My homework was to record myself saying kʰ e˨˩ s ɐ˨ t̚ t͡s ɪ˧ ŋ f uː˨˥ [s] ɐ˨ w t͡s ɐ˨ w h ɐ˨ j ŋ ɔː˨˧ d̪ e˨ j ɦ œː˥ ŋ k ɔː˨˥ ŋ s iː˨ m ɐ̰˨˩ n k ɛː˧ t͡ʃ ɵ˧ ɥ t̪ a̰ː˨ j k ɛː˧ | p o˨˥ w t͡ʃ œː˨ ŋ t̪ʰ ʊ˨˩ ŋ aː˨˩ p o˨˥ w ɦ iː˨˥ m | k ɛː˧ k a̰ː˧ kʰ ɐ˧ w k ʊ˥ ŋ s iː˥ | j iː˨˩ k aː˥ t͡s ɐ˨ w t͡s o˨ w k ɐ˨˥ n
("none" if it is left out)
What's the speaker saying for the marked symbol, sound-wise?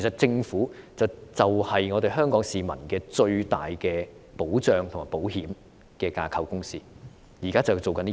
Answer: t͡s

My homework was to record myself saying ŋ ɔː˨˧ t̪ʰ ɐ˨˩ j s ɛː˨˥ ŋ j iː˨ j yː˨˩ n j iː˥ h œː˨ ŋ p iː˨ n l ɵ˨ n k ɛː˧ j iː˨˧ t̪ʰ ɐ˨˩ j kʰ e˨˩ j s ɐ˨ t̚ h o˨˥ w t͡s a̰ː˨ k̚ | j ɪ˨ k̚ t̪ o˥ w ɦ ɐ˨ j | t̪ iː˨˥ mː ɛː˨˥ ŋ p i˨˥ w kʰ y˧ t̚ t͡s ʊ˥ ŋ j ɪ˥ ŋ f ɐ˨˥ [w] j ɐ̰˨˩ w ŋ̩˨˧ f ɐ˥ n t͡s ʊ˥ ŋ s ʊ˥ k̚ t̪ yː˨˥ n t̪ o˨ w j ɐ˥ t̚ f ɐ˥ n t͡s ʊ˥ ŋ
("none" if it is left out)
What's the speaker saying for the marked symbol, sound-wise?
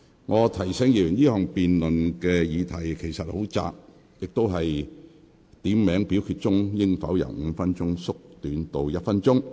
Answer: w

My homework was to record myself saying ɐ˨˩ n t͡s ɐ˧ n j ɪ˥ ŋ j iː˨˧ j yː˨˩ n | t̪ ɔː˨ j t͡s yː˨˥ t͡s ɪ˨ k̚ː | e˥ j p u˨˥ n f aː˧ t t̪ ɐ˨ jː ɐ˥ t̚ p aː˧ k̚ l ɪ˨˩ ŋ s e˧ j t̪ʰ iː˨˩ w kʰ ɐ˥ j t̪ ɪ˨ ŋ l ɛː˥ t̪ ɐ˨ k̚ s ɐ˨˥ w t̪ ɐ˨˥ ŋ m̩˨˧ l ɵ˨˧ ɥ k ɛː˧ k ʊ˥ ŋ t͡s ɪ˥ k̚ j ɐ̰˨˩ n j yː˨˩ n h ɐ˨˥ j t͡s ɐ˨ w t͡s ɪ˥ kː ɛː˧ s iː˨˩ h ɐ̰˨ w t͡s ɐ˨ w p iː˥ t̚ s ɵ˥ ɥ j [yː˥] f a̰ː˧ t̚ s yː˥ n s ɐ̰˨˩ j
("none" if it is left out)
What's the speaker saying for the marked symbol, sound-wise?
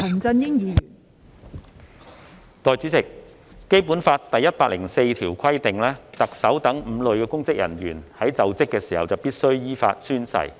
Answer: iː˥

